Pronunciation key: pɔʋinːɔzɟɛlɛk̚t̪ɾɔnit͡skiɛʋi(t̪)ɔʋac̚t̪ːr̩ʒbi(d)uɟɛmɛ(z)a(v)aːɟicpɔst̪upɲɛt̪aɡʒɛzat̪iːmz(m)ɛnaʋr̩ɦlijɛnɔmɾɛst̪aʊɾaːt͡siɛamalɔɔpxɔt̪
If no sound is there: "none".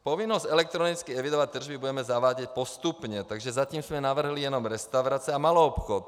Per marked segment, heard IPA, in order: d̪, b, z, ʋ, m

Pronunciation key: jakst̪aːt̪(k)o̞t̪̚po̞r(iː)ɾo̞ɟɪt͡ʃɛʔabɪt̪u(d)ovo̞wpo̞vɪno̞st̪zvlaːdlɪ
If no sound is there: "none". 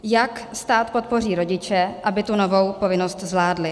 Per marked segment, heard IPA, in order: p, iː, n

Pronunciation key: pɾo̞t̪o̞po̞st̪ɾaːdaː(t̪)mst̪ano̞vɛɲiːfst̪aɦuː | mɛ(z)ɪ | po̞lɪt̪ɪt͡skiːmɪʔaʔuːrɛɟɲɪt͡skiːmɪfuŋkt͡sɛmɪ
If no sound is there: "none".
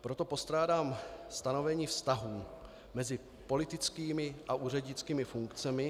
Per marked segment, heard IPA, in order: none, z

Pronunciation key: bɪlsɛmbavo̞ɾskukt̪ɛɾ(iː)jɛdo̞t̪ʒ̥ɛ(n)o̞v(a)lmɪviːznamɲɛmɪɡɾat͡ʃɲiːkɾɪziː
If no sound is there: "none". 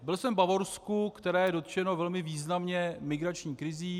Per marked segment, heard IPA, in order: ɛː, n, ɛ

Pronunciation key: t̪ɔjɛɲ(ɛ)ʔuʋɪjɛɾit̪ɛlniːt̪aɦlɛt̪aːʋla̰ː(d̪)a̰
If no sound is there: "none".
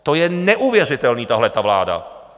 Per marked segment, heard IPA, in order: ɛ, d̪

